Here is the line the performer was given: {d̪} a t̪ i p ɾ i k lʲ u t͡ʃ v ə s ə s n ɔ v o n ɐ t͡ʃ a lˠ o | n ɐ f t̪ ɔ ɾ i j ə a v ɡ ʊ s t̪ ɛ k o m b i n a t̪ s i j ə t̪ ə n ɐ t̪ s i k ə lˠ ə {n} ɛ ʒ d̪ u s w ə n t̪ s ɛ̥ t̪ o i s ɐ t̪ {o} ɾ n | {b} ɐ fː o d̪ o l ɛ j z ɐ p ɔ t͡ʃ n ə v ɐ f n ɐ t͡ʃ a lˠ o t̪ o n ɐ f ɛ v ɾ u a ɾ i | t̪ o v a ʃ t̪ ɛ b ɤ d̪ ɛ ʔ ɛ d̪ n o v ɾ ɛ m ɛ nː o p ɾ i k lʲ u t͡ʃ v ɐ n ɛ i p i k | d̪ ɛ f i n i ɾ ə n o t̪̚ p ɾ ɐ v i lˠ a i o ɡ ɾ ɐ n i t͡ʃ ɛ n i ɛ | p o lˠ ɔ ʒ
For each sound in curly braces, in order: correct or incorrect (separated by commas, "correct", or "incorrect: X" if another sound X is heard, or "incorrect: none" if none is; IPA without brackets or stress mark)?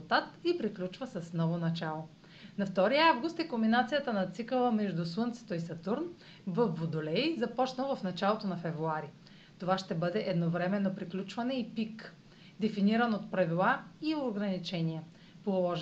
incorrect: t̪, incorrect: m, incorrect: u, incorrect: v